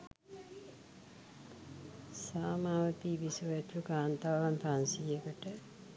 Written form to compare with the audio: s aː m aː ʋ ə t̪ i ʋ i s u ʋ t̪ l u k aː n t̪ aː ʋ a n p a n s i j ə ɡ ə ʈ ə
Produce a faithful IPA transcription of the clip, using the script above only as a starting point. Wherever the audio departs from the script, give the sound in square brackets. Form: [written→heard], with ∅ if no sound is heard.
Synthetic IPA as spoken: s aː m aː ʋ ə t̪ i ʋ i s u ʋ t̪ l u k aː n t̪ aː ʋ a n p a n s i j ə [ɡ→k] ə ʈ ə